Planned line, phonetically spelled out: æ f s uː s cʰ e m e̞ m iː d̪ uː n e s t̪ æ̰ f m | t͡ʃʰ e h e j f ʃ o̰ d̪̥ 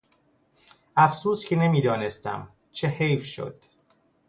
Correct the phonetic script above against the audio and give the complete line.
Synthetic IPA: æ f s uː s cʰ e n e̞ m iː d̪ ɒː n e s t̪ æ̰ m | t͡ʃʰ e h e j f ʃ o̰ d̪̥